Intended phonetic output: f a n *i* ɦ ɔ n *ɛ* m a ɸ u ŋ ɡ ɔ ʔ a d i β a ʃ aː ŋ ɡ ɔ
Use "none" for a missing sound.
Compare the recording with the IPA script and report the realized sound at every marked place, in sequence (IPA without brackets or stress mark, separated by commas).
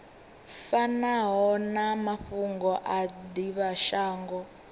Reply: a, a